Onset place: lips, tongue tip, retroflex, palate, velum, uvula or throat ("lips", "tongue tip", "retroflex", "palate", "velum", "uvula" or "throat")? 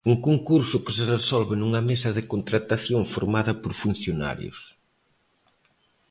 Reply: velum